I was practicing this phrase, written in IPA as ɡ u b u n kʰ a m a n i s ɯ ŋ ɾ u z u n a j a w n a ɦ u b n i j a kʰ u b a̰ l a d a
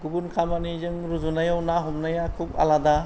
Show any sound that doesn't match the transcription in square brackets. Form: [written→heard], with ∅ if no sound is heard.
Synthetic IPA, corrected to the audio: ɡ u b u n kʰ a m a n i [s→z] ɯ ŋ ɾ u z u n a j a w n a ɦ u [b→m] n [i→a] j a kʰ u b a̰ l a d a